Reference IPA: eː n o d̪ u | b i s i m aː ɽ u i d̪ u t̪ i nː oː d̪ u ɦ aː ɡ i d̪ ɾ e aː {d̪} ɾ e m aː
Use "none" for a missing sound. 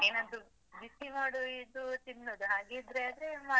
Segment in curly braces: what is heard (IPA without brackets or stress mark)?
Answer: d̪